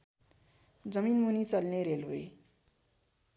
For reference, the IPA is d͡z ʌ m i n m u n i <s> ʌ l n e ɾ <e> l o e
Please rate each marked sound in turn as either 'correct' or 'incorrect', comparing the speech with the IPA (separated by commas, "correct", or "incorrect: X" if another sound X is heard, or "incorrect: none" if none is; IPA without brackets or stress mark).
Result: incorrect: t͡s, correct